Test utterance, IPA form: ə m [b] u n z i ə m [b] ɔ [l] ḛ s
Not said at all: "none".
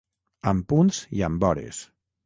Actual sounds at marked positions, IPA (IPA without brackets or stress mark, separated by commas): p, b, ɾ